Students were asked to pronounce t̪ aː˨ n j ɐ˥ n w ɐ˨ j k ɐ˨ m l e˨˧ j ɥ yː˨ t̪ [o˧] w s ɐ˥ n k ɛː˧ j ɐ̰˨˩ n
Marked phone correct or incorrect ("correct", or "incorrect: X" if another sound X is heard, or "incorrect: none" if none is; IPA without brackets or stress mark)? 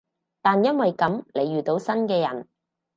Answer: incorrect: o˨˥